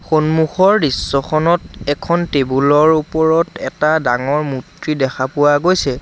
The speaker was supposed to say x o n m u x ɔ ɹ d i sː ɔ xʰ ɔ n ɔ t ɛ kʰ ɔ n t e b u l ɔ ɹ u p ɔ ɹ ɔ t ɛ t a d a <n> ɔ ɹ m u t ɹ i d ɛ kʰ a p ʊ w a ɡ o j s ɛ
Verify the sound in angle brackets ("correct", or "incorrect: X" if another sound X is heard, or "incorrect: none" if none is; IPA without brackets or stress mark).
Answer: incorrect: ŋ